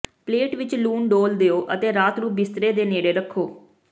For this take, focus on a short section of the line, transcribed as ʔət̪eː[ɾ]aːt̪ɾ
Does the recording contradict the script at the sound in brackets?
no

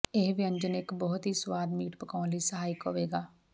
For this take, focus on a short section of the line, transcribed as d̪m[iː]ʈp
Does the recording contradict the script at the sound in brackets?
no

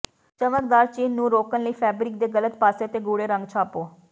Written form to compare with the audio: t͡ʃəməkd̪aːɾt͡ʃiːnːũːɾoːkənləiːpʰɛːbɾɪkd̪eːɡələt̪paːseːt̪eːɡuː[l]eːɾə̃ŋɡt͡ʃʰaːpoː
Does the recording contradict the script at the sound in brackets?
yes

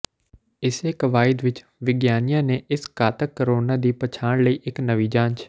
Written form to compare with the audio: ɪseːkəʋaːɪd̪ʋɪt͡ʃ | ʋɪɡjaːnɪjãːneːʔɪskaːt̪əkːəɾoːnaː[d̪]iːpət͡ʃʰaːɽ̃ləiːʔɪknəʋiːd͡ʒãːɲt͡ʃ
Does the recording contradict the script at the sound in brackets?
no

